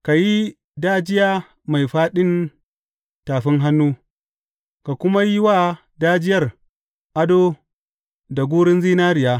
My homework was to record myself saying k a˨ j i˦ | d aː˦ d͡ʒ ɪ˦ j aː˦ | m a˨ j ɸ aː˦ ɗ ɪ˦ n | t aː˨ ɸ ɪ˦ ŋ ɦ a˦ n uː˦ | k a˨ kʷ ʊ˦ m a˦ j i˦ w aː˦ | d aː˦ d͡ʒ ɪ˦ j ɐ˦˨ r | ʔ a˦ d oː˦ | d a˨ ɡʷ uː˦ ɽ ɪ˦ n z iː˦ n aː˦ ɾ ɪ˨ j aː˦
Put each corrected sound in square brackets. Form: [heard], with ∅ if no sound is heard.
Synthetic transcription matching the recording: k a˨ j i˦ | d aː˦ d͡ʒ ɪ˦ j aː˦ | m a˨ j ɸ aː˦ ɗ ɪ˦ n | t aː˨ ɸ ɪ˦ ŋ ɦ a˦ [nː] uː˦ | k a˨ kʷ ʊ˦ m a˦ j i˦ w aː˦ | d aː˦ d͡ʒ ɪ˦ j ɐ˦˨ r | ʔ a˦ d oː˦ | d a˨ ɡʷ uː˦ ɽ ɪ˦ n z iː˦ n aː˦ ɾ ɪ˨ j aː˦

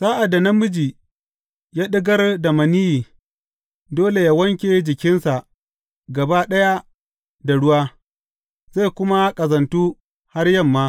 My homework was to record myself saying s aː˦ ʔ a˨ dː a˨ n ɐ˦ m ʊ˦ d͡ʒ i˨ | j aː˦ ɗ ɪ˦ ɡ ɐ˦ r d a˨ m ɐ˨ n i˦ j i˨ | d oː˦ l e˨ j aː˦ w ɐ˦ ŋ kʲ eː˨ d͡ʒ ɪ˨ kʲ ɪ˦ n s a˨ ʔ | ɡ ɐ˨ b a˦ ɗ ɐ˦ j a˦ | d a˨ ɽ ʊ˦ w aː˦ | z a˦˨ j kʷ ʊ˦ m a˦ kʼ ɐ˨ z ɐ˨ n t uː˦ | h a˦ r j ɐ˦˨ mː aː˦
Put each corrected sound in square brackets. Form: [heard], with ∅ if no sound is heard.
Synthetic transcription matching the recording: s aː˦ ʔ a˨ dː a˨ n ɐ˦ m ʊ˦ d͡ʒ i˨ | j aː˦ ɗ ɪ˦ ɡ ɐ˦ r d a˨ m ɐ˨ n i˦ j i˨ | d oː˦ l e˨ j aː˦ w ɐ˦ ŋ kʲ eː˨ d͡ʒ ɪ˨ kʲ ɪ˦ n s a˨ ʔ | ɡ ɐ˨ b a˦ ɗ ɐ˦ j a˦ | d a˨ ɽ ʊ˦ w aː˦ | z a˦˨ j kʷ ʊ˦ m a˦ kʼ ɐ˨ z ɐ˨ n t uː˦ | h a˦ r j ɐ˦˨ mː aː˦

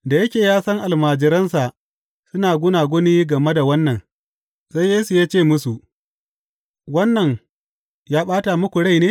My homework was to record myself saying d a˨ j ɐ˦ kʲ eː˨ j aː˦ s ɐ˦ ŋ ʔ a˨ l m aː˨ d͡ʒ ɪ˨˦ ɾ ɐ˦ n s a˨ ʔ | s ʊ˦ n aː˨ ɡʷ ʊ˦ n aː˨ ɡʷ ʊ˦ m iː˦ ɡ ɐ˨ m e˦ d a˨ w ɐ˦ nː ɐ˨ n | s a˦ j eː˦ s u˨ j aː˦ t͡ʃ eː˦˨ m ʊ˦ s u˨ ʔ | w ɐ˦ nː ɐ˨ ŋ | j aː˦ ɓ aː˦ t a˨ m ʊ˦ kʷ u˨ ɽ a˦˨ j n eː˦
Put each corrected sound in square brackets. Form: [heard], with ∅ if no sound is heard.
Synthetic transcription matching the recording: d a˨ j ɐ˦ kʲ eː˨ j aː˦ s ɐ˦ ŋ ʔ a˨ l m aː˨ d͡ʒ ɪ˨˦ ɾ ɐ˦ n s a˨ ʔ | s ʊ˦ n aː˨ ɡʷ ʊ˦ n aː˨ ɡʷ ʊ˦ [n] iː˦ ɡ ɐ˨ m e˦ d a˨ w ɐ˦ nː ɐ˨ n | s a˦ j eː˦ s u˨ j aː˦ t͡ʃ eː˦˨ m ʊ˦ s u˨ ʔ | w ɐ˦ nː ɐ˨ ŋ | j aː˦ ɓ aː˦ t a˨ m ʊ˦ kʷ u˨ ɽ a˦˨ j n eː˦

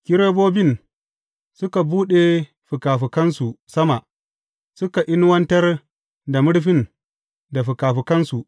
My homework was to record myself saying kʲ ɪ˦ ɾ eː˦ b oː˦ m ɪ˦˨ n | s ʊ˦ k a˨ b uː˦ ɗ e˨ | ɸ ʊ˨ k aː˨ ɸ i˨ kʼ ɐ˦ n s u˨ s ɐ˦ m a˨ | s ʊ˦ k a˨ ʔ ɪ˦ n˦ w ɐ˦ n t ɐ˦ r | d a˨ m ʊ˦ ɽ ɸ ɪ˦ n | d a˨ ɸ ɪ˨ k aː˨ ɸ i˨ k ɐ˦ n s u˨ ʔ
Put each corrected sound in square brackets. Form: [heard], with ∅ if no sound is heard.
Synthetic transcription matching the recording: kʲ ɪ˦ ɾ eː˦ b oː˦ [b] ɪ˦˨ n | s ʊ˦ k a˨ b uː˦ ɗ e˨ | ɸ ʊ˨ k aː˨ ɸ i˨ [k] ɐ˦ n s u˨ s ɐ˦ m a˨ | s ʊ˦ k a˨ ʔ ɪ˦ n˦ w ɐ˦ n t ɐ˦ r | d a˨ m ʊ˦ ɽ ɸ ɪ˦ n | d a˨ ɸ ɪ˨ k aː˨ ɸ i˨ k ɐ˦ n s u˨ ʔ

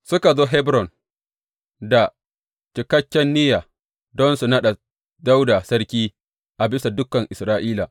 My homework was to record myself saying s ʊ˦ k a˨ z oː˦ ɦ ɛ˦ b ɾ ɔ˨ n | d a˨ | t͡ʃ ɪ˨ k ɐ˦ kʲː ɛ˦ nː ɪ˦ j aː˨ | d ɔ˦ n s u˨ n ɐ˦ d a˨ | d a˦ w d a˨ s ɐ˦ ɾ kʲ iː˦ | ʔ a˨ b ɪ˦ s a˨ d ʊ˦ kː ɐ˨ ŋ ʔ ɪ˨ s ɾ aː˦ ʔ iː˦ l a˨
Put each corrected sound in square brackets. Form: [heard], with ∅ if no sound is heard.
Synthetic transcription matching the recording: s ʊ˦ k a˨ z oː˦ ɦ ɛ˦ b ɾ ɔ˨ n | d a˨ | t͡ʃ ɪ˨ k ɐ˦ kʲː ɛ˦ nː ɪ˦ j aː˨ | d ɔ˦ n s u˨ n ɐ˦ [ɗ] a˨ | d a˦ w d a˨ s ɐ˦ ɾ kʲ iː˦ | ʔ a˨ b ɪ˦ s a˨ d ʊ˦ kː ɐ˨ ŋ ʔ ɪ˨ s ɾ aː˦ ʔ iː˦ l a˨

